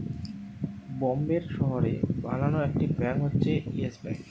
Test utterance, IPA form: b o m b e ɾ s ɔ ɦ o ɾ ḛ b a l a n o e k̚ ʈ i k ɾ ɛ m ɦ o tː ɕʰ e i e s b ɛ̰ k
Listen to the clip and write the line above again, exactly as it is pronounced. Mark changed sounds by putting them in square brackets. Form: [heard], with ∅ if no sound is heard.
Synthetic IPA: b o m b e ɾ [ʃ] ɔ ɦ o ɾ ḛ b a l a n o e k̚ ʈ i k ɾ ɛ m ɦ o tː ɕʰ e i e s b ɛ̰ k